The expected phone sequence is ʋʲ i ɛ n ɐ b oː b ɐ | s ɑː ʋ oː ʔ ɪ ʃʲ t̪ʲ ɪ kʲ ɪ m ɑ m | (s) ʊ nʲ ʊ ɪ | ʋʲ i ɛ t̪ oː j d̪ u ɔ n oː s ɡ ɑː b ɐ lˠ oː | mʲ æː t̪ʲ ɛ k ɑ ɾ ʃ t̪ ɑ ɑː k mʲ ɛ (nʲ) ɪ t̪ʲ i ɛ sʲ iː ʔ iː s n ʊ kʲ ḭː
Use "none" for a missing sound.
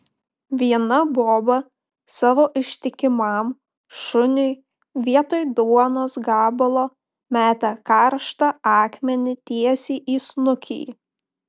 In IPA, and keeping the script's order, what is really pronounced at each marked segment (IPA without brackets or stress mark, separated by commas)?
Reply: ʃ, nʲ